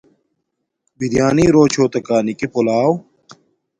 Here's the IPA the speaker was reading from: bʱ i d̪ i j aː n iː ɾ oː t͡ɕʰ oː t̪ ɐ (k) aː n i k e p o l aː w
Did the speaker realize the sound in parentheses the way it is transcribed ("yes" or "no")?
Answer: yes